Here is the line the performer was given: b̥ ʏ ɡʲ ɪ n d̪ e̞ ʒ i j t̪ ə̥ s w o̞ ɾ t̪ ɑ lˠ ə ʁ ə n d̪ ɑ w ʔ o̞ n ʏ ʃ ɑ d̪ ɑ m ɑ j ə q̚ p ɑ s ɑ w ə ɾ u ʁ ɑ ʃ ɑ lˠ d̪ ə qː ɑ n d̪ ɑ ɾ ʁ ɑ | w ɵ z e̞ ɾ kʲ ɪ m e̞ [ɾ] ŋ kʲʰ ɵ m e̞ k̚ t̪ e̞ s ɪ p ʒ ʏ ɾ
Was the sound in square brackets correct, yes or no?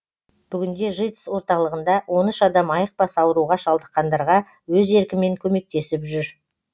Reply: no